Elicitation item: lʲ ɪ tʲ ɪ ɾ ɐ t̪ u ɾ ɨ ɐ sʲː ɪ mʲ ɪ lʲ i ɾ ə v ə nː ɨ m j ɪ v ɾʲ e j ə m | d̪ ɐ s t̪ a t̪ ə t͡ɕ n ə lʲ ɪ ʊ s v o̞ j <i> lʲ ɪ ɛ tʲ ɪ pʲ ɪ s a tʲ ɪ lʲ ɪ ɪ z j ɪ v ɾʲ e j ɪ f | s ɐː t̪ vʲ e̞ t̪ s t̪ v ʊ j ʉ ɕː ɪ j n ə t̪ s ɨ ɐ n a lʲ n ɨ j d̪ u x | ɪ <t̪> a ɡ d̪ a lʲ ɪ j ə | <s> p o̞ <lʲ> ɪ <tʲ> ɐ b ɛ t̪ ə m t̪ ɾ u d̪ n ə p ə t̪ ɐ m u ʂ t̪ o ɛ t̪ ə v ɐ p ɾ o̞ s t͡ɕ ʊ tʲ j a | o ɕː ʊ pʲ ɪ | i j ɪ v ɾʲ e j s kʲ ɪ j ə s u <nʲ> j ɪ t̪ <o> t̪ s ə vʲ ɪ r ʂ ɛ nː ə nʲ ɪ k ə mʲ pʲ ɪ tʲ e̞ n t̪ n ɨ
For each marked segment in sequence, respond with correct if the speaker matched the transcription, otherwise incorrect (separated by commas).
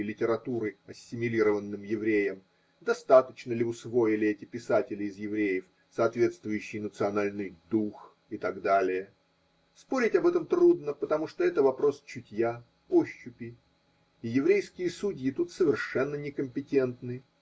incorrect, correct, correct, incorrect, correct, incorrect, incorrect